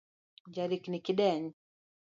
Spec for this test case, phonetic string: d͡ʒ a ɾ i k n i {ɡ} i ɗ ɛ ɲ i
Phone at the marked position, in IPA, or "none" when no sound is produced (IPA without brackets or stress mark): k